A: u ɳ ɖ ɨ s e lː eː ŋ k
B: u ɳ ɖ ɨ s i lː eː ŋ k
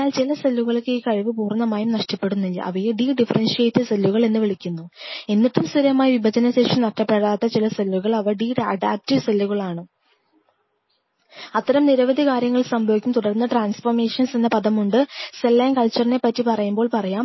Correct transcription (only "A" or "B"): A